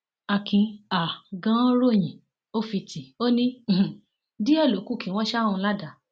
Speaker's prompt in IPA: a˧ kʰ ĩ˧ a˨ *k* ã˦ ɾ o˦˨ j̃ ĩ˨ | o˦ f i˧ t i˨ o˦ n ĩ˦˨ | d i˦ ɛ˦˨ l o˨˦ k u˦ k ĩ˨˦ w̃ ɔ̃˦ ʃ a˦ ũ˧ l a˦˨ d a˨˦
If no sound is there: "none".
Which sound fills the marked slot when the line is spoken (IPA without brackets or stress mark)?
ɡ